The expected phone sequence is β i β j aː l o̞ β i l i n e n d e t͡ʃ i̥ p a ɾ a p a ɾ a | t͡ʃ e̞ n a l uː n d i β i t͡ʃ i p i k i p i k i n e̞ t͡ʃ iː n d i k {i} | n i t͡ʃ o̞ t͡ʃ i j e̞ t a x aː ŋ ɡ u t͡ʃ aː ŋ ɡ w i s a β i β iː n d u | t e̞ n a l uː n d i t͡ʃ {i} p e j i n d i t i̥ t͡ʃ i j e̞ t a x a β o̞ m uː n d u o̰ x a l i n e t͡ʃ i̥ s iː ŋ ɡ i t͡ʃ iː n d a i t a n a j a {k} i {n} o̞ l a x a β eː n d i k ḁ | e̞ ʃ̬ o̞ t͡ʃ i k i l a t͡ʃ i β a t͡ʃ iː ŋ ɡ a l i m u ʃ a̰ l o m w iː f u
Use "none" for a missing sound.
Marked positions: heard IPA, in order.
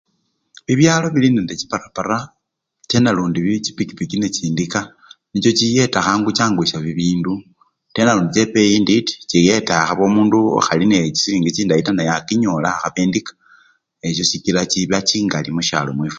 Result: a, e, k, ɲ

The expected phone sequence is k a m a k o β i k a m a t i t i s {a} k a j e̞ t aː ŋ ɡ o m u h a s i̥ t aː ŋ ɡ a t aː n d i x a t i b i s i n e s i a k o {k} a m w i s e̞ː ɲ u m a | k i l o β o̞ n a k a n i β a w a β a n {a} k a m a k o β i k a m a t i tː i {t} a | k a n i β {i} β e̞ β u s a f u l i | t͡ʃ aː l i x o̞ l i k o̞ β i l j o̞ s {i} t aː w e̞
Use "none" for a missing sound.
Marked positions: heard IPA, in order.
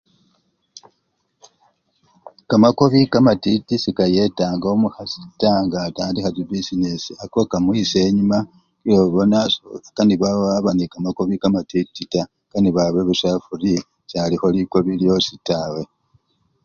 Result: i, k, i, t, a, i

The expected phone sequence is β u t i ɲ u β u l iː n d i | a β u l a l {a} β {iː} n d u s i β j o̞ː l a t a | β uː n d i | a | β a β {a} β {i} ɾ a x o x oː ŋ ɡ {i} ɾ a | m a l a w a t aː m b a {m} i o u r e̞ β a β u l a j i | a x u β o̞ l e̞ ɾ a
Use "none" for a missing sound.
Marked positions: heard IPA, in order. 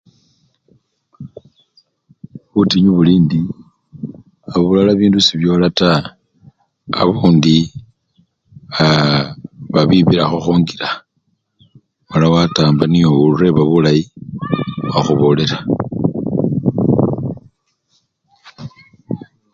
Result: a, iː, i, i, i, n

